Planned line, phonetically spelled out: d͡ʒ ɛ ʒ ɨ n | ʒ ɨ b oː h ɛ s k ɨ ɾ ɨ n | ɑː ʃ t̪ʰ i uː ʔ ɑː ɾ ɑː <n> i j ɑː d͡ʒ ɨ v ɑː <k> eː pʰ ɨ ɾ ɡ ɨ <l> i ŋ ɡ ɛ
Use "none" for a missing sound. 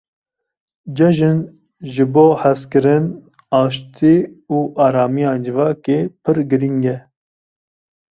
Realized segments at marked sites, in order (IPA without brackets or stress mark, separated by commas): m, k, ɾ